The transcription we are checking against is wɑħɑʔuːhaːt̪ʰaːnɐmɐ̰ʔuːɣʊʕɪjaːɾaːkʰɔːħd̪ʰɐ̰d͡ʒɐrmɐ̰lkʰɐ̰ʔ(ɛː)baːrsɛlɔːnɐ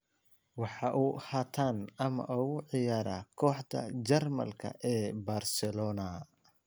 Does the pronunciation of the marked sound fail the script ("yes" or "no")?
no